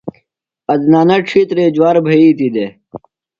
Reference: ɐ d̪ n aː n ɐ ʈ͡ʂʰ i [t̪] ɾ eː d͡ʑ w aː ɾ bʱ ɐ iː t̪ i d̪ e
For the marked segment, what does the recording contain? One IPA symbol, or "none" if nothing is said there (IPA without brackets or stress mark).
t̪